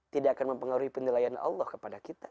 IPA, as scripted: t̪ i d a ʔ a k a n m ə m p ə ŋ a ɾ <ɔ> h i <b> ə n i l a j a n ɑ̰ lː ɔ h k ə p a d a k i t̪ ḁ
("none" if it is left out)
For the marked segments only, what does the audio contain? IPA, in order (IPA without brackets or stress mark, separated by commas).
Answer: u, p